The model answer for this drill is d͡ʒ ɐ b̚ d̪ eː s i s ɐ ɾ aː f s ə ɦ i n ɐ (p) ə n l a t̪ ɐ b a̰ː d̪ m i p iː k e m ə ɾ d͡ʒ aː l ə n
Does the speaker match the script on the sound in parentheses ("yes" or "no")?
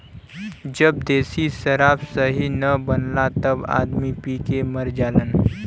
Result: no